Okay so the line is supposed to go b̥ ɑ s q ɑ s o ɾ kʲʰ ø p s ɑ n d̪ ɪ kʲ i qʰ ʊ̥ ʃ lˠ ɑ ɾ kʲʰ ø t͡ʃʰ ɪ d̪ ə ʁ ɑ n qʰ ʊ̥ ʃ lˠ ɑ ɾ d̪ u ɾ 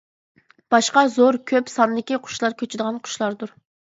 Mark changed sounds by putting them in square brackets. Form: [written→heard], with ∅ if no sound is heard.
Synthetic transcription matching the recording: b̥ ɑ [s→ʃ] q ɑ [s→z] o ɾ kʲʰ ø p s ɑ n d̪ ɪ kʲ i qʰ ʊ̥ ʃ lˠ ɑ ɾ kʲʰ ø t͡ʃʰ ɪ d̪ ə ʁ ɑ n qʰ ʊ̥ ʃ lˠ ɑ ɾ d̪ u ɾ